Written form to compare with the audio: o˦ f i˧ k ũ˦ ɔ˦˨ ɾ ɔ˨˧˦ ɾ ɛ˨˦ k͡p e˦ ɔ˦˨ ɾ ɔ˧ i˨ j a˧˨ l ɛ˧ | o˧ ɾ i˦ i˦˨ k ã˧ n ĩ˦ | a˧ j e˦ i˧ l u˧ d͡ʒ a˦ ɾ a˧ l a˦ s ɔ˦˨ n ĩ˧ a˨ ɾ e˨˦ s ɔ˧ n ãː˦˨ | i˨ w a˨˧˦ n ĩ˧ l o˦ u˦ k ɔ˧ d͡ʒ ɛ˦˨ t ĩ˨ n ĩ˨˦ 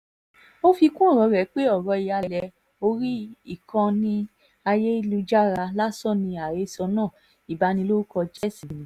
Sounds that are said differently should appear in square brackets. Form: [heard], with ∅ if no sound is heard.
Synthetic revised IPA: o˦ f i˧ k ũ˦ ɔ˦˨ ɾ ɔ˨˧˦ ɾ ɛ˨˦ k͡p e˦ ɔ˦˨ ɾ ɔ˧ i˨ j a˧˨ l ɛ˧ | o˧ ɾ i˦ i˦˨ k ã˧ n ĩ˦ | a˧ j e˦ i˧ l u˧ d͡ʒ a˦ ɾ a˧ l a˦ s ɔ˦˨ n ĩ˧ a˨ ɾ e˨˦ s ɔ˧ n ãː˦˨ | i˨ [b] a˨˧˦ n ĩ˧ l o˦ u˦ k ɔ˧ d͡ʒ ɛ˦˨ [s] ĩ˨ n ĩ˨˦